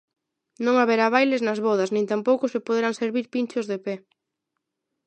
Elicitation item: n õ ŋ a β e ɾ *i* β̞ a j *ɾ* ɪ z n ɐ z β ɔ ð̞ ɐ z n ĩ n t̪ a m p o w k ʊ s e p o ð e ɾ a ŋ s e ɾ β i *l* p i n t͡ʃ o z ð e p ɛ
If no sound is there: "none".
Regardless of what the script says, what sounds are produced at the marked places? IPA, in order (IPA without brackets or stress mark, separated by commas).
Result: a, l, ɾ